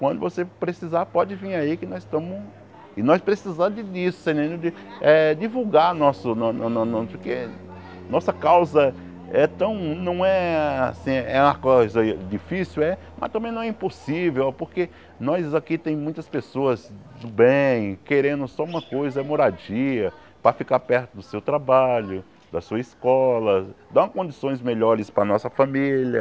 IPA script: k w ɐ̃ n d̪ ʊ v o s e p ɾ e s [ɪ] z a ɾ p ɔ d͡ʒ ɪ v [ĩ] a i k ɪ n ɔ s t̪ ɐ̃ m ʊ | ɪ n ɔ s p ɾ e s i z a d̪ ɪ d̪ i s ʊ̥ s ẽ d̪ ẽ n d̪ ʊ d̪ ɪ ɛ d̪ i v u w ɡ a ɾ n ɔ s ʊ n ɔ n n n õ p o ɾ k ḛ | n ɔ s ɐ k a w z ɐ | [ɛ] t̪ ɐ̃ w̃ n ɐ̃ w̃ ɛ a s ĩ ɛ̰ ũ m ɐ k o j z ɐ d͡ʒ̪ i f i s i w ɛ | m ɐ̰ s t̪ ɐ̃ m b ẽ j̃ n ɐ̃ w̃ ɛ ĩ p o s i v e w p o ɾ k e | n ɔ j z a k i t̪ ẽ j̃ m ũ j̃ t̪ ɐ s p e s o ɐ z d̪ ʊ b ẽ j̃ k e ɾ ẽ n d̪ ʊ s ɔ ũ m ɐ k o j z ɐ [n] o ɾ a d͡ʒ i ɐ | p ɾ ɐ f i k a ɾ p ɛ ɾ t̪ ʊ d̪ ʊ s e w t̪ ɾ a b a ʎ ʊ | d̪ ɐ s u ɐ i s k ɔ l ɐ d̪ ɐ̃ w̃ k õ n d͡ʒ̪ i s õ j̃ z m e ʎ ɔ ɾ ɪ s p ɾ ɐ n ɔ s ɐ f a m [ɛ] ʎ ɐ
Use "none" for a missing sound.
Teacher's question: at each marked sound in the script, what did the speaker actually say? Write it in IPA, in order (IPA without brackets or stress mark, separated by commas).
i, ĩ, ɛ, m, i